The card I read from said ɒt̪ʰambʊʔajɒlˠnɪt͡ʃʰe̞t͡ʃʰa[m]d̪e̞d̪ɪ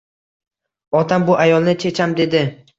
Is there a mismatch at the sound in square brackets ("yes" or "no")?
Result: no